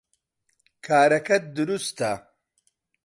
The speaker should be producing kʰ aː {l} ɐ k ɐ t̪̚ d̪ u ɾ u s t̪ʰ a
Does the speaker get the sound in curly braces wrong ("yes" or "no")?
yes